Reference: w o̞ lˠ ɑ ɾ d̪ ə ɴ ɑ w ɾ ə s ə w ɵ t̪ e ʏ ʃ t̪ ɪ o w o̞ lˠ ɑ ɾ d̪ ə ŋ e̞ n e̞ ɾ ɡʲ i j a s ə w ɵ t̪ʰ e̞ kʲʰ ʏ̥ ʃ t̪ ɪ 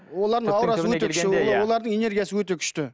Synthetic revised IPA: w o̞ lˠ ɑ ɾ d̪ ə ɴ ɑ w ɾ ɑ s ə w ɵ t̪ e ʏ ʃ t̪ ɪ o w o̞ lˠ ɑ ɾ d̪ ə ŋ e̞ n e̞ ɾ ɡʲ i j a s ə w ɵ t̪ e̞ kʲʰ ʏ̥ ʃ t̪ ɪ